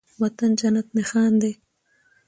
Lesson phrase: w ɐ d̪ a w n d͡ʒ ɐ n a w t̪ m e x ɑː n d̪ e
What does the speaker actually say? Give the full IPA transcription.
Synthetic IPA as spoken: w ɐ t̪ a n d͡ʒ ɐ n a t̪ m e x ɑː n d̪ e